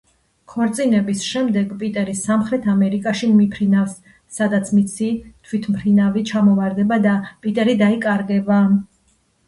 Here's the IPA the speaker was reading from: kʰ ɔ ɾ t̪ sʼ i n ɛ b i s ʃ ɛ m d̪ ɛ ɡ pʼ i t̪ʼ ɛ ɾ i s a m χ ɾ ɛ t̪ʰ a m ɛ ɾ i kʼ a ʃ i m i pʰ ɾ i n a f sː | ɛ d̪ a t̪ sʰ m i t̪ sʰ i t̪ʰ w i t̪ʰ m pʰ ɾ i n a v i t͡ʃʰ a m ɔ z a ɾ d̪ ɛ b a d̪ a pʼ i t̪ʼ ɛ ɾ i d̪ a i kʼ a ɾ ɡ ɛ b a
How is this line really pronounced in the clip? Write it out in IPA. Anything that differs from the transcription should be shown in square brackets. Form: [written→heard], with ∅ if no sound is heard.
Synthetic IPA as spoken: kʰ ɔ ɾ t̪ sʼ i n ɛ b i s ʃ ɛ m d̪ ɛ ɡ pʼ i t̪ʼ ɛ ɾ i s a m χ ɾ ɛ t̪ʰ a m ɛ ɾ i kʼ a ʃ i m i pʰ ɾ i n a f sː | [ɛ→a] d̪ a t̪ sʰ m i t̪ sʰ i t̪ʰ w i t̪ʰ m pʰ ɾ i n a v i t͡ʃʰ a m ɔ [z→v] a ɾ d̪ ɛ b a d̪ a pʼ i t̪ʼ ɛ ɾ i d̪ a i kʼ a ɾ ɡ ɛ b a